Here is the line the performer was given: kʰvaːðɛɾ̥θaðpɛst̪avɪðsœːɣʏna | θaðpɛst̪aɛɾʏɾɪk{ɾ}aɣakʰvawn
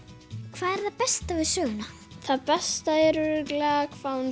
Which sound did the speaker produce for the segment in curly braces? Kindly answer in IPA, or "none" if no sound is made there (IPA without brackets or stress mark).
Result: l